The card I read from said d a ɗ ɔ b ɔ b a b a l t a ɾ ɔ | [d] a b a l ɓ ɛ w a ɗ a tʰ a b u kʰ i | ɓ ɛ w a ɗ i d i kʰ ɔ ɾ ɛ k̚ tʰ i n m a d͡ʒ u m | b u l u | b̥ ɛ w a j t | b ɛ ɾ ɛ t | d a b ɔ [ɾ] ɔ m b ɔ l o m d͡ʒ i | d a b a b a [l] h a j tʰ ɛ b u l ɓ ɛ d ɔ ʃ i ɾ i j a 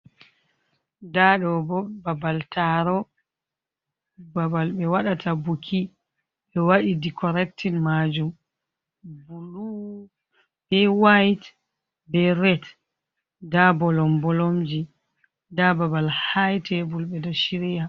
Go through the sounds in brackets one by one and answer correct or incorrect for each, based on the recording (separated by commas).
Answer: incorrect, incorrect, correct